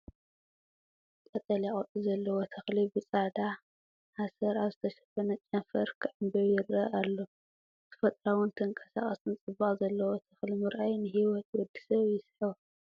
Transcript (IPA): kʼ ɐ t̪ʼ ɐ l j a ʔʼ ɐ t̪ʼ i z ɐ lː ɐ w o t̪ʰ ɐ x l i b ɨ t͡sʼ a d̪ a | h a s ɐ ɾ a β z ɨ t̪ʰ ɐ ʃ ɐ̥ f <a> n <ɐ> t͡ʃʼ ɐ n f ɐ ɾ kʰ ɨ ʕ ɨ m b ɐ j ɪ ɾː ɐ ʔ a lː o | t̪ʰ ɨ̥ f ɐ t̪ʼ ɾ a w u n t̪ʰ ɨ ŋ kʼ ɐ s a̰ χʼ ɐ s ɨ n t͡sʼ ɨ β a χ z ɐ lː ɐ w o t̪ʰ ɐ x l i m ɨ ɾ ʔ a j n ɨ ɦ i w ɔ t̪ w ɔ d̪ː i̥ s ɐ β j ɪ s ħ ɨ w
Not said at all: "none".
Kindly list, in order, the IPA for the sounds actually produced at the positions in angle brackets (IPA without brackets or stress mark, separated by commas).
ɐ, ɐ